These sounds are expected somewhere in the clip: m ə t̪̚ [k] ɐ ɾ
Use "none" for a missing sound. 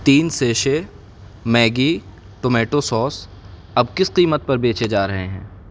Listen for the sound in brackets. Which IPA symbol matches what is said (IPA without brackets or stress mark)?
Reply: p